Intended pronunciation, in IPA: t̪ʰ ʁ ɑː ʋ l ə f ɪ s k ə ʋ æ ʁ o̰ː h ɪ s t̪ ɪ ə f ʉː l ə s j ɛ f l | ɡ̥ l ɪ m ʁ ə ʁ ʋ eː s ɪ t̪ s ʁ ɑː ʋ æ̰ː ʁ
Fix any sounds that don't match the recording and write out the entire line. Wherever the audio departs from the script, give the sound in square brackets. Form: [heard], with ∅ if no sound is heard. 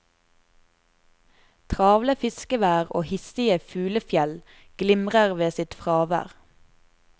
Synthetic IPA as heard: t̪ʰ ʁ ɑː ʋ l ə f ɪ s k ə ʋ [æː] ʁ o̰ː h ɪ s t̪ ɪ ə f ʉː l ə [f] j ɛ [∅] l | ɡ̥ l ɪ m ʁ ə ʁ ʋ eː s ɪ t̪ [f] ʁ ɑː ʋ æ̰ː ʁ